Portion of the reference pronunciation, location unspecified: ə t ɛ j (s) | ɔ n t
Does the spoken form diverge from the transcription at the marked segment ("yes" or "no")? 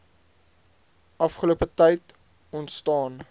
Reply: yes